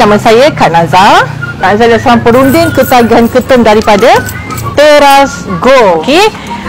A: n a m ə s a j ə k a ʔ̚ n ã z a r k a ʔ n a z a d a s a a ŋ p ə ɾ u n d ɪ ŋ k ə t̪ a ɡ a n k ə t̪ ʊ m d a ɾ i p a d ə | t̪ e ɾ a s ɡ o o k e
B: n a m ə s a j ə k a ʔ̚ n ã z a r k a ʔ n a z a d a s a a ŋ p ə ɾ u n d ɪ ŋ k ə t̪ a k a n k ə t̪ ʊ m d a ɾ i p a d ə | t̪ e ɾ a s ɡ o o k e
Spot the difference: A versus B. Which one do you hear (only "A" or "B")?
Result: A